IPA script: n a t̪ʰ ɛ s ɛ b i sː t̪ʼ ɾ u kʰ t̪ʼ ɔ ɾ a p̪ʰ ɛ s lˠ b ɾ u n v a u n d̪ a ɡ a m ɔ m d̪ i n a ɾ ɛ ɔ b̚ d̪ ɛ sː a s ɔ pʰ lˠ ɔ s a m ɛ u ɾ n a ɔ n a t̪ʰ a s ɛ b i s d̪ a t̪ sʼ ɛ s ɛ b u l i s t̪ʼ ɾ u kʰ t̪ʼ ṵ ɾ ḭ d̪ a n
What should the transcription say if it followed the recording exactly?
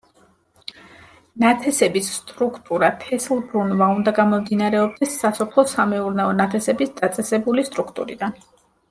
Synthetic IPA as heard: n a t̪ʰ ɛ s ɛ b i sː t̪ʼ ɾ u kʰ t̪ʼ u ɾ a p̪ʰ ɛ s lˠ b ɾ u n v a u n d̪ a ɡ a m ɔ m d̪ i n a ɾ ɛ ɔ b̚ d̪ ɛ sː a s ɔ pʰ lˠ ɔ s a m ɛ u ɾ n a ɔ n a t̪ʰ ɛ s ɛ b i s d̪ a t̪ sʼ ɛ s ɛ b u l i s t̪ʼ ɾ u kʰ t̪ʼ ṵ ɾ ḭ d̪ a n